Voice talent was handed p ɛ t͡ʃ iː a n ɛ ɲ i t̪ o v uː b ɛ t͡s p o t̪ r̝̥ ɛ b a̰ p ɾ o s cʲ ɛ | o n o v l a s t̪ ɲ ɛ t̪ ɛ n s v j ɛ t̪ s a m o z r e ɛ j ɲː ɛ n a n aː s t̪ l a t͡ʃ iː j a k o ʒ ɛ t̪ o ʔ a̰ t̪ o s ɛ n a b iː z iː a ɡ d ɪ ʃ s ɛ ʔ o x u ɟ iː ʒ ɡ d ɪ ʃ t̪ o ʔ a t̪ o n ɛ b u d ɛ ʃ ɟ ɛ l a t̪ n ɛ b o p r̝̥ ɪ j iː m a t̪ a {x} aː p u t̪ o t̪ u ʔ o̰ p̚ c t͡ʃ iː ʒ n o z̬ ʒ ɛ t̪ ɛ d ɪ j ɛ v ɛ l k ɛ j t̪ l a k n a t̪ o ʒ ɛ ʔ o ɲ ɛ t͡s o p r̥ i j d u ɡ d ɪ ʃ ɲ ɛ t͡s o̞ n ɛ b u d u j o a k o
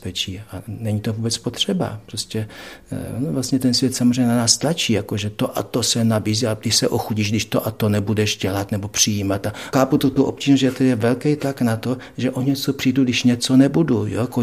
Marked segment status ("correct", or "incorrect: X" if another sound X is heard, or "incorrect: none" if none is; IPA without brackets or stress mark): correct